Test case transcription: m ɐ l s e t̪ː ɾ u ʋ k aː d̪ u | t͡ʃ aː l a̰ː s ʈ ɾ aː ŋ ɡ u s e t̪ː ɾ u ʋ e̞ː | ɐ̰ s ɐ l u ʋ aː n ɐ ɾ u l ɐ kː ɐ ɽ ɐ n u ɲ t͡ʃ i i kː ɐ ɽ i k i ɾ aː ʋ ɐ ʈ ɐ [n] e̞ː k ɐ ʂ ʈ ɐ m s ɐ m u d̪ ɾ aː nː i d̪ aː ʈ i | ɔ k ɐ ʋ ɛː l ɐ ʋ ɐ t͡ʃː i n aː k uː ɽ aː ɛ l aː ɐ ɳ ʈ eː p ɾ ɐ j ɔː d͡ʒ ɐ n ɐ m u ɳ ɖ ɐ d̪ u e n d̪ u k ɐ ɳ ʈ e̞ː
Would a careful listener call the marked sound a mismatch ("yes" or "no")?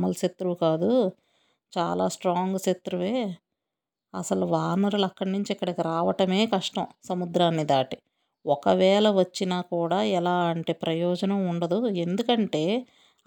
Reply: yes